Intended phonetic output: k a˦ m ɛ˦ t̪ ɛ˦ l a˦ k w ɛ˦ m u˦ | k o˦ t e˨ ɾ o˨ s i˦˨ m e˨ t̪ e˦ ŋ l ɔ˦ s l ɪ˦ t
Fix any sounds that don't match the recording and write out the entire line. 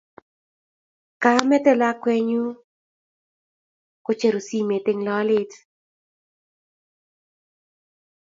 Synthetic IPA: k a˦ m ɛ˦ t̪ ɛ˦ l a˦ k w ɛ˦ ɲ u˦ | k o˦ t͡ʃ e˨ ɾ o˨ s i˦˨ m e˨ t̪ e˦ ŋ l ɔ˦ l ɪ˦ t